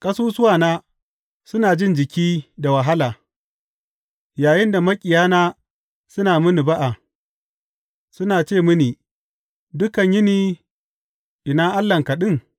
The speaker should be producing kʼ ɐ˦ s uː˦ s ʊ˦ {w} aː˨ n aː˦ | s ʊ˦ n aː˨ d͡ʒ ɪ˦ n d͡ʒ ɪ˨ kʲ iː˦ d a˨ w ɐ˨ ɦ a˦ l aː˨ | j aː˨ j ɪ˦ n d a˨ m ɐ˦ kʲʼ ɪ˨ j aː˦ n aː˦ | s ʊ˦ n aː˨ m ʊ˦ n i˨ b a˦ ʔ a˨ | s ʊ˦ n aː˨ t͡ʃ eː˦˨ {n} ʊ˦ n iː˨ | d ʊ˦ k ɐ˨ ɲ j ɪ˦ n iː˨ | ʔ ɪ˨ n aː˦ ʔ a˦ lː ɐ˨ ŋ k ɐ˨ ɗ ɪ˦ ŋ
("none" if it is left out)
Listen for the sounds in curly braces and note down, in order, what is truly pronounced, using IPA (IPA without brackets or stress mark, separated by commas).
w, m